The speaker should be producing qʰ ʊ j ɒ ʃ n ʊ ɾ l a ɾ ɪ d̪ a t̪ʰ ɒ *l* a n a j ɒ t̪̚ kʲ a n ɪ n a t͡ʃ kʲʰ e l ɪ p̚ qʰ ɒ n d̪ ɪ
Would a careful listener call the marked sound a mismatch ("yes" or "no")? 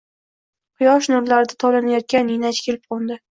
no